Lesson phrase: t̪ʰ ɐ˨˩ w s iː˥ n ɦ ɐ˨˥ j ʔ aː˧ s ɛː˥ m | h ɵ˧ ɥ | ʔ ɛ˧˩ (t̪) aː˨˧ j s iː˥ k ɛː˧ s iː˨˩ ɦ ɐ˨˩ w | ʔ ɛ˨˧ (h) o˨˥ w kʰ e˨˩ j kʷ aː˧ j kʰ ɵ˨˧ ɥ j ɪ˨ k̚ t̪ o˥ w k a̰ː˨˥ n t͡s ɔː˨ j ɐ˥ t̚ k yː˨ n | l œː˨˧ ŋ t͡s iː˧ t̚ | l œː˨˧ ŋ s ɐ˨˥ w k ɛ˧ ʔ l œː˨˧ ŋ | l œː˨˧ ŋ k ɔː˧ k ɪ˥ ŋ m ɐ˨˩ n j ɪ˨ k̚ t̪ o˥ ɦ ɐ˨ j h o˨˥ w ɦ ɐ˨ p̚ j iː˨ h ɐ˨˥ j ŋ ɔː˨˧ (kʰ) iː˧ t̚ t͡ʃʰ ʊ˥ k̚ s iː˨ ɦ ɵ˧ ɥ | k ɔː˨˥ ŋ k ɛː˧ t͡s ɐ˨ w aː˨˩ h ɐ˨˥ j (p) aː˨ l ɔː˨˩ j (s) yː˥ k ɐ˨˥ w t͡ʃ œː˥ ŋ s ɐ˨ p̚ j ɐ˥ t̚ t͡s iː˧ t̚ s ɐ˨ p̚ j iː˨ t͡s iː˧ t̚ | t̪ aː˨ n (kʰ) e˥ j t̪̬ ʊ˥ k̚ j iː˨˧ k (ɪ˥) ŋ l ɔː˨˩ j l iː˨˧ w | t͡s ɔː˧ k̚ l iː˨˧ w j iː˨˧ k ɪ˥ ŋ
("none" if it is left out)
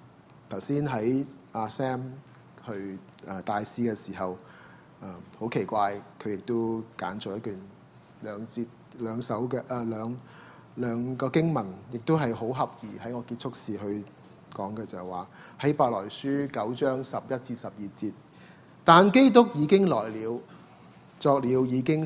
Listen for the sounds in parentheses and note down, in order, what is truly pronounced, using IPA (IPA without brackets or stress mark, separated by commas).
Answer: t̪, h, k, p, s, k, ɪ˥